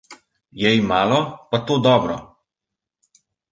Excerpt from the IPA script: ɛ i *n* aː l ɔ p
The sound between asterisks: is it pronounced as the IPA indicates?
no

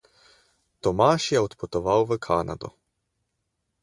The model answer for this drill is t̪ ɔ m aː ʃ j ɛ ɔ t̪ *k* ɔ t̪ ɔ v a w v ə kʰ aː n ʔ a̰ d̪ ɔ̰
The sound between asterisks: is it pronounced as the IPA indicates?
no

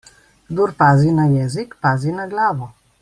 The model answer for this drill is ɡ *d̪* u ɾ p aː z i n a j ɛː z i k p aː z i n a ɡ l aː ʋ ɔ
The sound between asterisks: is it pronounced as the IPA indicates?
yes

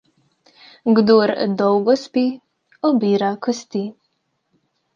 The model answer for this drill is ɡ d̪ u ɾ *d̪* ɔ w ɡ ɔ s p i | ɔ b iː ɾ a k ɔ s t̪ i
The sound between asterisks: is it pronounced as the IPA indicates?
yes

